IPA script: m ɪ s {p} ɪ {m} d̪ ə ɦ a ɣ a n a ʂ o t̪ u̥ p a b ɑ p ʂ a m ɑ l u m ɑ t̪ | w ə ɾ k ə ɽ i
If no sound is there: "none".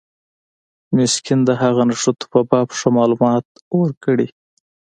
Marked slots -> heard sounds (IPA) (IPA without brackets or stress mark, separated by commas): k, n